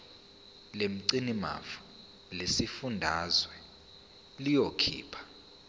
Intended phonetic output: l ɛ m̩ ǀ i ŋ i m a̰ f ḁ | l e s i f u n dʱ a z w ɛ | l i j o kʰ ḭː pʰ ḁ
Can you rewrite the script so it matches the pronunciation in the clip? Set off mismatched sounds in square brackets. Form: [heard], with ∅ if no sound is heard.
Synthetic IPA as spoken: l [e] m̩ ǀ i [n] i m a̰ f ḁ | l e s i f u n dʱ a z w ɛ | l i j o kʰ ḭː pʰ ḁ